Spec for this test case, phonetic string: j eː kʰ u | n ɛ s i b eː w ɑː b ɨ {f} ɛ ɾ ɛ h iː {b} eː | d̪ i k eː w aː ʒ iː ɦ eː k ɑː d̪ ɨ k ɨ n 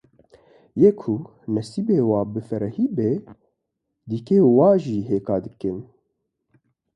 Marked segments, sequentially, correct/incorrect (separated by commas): correct, correct